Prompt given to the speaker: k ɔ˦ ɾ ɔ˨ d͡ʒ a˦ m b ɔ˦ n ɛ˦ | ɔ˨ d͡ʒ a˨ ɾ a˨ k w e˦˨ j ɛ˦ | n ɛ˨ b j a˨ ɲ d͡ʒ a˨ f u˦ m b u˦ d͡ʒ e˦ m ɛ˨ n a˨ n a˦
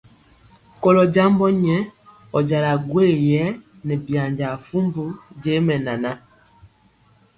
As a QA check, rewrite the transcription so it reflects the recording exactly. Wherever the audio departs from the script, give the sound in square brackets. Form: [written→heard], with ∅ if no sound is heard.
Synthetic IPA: k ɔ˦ [ɾ→l] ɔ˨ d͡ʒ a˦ m b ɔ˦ [n→ɲ] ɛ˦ | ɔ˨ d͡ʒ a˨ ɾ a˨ [k→ɡ] w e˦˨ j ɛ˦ | n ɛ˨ b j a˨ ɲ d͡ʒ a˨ f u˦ m b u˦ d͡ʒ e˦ m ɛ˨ n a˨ n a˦